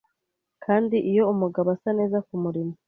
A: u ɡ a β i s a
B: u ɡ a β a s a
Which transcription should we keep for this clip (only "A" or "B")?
B